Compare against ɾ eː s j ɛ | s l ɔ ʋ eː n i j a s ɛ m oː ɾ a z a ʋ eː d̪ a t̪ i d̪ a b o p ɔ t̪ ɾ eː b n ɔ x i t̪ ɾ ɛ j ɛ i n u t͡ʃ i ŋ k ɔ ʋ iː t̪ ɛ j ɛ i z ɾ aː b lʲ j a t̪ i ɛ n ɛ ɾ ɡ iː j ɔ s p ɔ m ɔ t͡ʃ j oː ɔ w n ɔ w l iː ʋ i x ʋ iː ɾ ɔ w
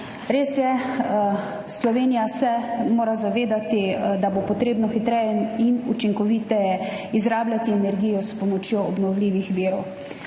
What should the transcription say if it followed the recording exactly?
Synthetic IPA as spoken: ɾ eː s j ɛ | s l ɔ ʋ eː n i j a s ɛ m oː ɾ a z a ʋ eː d̪ a t̪ i d̪ a b o p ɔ t̪ ɾ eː b n ɔ x i t̪ ɾ ɛ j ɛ i n u t͡ʃ i ŋ k ɔ ʋ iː t̪ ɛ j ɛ i z ɾ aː b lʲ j a t̪ i ɛ n ɛ ɾ ɡ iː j ɔ s p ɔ m ɔ t͡ʃ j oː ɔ b n ɔ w l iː ʋ i x ʋ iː ɾ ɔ w